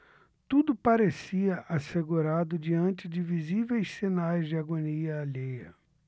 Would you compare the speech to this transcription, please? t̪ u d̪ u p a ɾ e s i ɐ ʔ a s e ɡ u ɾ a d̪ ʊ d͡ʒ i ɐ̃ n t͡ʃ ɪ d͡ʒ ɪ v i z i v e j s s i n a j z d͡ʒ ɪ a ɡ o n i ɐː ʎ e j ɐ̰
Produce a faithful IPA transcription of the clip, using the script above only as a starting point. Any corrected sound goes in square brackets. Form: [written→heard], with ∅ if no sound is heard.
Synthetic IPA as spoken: t̪ u d̪ [u→ʊ] p a ɾ e s i ɐ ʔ a s e ɡ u ɾ a d̪ ʊ d͡ʒ i ɐ̃ n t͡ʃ ɪ d͡ʒ ɪ v i z i v e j s s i n a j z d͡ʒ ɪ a ɡ o n i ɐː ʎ e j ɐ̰